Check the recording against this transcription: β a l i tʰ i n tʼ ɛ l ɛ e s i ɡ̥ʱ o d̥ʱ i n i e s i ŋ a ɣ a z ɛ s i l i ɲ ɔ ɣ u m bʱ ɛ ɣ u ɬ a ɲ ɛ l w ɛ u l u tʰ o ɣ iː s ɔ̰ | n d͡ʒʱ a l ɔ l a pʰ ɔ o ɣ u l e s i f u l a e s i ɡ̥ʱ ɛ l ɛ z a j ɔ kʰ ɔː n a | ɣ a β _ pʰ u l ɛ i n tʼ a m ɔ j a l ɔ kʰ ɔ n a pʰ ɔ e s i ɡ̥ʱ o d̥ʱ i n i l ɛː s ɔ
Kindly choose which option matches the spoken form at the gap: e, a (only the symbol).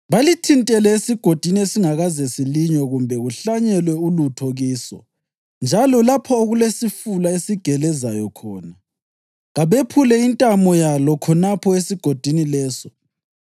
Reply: e